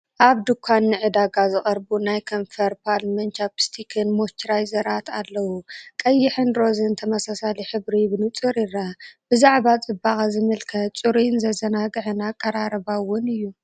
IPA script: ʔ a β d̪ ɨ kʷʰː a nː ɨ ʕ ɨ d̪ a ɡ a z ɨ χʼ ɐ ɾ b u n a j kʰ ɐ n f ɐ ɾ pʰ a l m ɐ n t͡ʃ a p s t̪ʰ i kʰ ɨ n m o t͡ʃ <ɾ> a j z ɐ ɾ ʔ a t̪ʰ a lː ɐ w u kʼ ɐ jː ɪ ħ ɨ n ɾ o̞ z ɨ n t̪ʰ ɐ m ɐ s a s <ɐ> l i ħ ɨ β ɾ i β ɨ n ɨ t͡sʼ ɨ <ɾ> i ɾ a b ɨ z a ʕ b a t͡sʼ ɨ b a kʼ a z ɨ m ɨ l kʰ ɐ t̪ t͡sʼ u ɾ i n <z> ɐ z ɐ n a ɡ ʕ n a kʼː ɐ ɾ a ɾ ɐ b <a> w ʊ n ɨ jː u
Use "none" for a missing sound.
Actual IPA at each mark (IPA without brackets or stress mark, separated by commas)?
ɾ, a, ɾ, z, a